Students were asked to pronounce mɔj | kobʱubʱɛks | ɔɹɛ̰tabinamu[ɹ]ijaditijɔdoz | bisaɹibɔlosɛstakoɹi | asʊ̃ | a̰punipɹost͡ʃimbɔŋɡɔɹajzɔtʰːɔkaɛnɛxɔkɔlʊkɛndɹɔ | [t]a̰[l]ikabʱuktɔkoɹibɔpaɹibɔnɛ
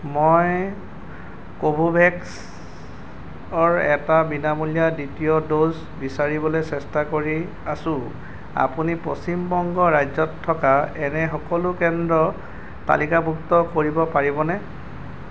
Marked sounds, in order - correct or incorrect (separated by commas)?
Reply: incorrect, correct, correct